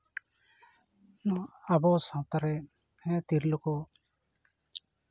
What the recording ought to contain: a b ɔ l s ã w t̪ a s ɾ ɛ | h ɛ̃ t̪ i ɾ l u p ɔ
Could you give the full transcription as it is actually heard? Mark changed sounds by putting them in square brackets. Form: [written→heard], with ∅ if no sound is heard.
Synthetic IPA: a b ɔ [l→∅] s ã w t̪ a [s→∅] ɾ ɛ | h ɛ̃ t̪ i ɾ l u [p→k] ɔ